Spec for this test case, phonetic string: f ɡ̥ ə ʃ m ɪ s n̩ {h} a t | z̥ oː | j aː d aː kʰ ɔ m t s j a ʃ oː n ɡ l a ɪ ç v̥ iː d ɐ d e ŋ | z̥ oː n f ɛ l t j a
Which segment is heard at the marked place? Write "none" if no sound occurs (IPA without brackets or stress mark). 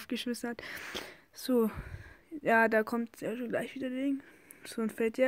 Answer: h